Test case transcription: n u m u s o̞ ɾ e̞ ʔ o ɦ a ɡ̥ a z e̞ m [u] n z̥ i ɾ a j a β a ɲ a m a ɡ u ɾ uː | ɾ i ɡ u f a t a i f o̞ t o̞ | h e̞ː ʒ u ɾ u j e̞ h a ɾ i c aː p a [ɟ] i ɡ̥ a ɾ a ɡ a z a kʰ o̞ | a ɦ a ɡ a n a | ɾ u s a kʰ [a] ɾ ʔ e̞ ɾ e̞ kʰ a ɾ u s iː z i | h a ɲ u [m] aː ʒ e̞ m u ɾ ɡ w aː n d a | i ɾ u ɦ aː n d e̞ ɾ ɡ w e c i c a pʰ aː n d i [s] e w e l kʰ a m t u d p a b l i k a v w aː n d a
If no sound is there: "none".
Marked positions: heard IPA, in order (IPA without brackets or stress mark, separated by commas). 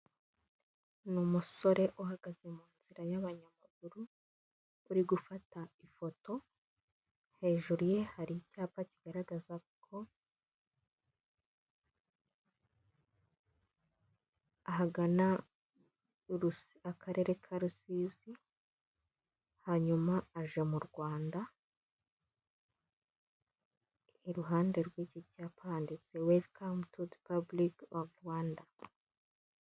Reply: uː, c, a, m, t͡s